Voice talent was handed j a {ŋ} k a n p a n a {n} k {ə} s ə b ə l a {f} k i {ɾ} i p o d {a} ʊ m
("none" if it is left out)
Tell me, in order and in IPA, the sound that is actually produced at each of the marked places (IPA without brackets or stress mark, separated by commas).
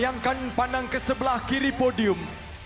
ŋ, ŋ, ə, h, ɾ, i